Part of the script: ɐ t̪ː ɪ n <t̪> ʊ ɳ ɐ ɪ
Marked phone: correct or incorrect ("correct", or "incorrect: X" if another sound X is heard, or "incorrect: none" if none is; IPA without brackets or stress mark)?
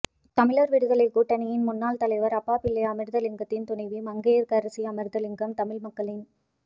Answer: correct